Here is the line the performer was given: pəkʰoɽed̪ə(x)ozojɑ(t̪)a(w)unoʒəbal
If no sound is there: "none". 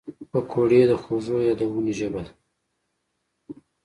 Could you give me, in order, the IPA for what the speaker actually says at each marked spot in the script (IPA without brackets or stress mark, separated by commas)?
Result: x, d̪, w